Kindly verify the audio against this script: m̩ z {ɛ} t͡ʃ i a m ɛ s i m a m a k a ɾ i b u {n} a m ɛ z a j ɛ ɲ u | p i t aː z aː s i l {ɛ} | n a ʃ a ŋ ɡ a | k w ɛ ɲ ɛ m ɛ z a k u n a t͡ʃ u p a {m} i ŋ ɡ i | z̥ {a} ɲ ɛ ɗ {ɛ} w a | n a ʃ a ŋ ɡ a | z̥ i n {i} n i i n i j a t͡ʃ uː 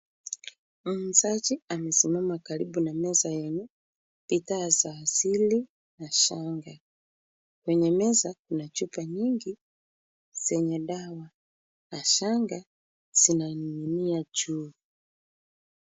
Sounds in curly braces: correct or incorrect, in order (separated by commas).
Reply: incorrect, correct, incorrect, incorrect, incorrect, incorrect, incorrect